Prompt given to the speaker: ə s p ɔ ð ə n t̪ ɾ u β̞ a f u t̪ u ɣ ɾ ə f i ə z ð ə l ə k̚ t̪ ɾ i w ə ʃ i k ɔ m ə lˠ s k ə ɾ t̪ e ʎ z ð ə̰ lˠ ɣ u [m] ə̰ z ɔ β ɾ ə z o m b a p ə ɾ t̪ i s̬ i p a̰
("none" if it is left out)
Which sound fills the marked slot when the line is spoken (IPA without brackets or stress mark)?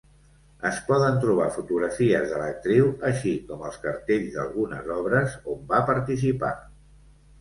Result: n